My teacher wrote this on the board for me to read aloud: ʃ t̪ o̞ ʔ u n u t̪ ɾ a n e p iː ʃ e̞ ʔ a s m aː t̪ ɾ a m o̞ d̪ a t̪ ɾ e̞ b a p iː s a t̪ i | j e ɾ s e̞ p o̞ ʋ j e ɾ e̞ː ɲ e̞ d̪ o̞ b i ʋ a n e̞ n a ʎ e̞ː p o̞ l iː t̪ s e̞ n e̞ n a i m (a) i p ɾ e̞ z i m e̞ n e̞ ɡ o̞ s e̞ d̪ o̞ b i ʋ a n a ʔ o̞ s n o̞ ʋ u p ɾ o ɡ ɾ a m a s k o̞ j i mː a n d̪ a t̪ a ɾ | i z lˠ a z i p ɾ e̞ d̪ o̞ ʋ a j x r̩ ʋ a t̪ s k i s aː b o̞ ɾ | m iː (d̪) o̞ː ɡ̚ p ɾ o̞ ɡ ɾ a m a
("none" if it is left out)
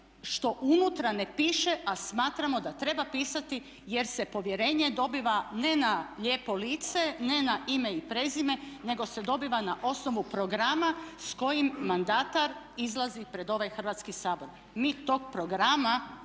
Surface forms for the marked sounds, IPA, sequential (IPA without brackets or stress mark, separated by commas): e, t̪